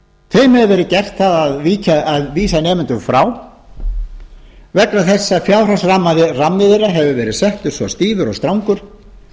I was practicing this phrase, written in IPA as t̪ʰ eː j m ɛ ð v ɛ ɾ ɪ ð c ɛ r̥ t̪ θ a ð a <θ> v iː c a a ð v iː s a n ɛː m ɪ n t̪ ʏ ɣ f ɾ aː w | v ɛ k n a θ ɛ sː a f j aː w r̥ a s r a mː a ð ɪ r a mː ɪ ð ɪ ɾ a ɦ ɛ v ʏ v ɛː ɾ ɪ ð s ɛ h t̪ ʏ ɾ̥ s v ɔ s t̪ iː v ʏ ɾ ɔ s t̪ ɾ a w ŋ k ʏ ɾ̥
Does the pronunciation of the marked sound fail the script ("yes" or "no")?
yes